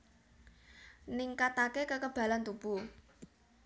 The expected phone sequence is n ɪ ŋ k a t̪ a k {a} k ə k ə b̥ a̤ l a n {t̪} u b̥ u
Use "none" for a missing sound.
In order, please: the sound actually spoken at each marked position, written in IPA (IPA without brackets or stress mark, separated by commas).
e, t̪